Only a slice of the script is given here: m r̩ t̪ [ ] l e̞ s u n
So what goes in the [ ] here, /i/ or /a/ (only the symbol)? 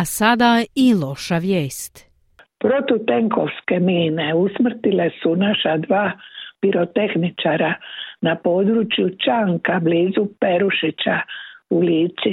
i